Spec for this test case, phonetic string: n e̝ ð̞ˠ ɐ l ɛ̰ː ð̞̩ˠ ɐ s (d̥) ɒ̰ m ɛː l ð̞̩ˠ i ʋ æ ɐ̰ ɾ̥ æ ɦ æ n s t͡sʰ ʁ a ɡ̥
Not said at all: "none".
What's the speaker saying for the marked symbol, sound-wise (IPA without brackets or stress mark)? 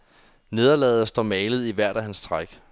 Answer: d̥